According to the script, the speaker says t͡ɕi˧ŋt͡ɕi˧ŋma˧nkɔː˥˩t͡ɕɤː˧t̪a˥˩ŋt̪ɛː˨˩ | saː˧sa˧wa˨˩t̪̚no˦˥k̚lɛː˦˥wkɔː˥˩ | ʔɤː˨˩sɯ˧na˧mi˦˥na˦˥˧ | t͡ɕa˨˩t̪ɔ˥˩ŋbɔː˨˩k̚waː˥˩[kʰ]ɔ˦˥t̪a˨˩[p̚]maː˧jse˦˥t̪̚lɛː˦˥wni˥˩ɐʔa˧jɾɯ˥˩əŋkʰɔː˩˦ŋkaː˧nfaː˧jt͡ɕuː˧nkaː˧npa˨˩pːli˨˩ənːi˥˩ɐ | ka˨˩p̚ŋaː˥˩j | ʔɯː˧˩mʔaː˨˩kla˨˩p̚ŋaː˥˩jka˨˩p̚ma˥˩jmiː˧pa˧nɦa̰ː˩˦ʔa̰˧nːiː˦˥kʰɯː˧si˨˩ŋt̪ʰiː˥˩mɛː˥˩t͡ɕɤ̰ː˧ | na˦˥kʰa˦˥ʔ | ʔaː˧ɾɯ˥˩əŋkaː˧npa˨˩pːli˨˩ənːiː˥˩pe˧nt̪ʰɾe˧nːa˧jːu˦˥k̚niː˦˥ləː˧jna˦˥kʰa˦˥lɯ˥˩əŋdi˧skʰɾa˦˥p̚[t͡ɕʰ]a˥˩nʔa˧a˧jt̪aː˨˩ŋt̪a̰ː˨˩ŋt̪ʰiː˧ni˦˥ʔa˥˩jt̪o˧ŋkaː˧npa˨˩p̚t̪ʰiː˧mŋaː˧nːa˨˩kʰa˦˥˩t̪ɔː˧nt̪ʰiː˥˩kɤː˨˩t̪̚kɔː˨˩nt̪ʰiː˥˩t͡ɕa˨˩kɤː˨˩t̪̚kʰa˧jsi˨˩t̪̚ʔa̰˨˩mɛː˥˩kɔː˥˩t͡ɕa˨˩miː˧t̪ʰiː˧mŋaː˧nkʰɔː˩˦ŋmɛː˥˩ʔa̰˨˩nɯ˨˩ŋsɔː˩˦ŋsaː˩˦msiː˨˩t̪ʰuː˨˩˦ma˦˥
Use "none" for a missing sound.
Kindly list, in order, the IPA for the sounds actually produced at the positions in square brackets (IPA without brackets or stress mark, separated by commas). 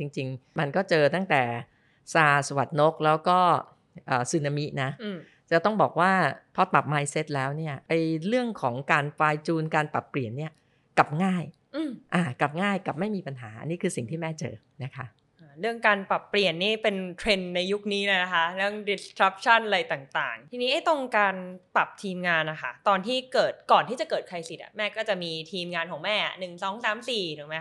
pʰ, p̚, t͡ɕʰ